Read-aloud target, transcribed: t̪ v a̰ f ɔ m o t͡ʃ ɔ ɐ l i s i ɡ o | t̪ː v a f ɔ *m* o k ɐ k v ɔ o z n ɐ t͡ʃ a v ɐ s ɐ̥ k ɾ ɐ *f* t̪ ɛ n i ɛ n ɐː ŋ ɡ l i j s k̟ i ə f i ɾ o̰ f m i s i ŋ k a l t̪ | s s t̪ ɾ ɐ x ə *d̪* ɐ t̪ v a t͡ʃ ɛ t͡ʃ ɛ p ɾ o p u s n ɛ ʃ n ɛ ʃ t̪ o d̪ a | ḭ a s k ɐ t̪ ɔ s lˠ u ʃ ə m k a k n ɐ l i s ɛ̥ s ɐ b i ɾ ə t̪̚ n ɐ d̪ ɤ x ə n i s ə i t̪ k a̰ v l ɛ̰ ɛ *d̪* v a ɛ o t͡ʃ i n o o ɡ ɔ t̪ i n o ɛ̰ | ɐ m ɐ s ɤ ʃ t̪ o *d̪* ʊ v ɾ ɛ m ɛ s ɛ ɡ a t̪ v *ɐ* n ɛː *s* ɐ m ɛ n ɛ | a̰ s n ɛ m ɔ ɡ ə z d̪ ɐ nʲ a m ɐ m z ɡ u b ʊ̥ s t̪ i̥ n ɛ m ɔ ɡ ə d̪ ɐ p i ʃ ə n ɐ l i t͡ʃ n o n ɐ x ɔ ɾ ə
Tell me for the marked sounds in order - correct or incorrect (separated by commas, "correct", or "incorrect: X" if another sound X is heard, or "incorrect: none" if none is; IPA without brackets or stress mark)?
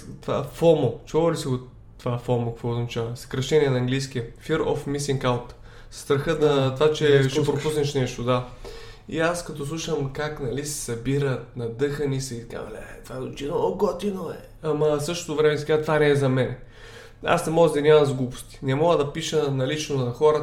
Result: correct, incorrect: ʃ, correct, incorrect: t̪, incorrect: t̪, incorrect: a, incorrect: z